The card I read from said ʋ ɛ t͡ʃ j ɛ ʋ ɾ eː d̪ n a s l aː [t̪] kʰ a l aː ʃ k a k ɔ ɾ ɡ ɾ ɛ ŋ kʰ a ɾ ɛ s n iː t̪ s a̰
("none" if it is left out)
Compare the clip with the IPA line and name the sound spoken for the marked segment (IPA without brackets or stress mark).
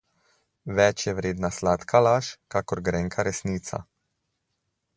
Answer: t̪